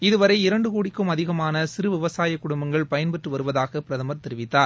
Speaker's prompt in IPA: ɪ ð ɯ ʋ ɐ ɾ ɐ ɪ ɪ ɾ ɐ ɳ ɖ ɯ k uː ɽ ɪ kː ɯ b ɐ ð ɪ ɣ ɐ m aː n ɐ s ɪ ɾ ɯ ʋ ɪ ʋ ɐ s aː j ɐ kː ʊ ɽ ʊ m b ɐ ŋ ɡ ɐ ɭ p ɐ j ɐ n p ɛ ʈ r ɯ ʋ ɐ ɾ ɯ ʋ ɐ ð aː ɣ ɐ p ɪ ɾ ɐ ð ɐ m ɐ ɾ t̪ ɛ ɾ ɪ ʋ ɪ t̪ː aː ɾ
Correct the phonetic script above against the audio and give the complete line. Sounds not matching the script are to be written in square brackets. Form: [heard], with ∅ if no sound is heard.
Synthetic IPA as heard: ɪ ð ɯ ʋ ɐ ɾ ɐ ɪ ɪ ɾ ɐ ɳ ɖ ɯ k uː ɽ ɪ kː ɯ [m] ɐ ð ɪ ɣ ɐ m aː n ɐ s ɪ ɾ ɯ ʋ ɪ ʋ ɐ s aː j ɐ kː ʊ ɽ ʊ m b ɐ ŋ ɡ ɐ ɭ p ɐ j ɐ n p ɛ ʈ r ɯ ʋ ɐ ɾ ɯ ʋ ɐ ð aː ɣ ɐ p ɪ ɾ ɐ ð ɐ m ɐ ɾ t̪ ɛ ɾ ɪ ʋ ɪ t̪ː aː ɾ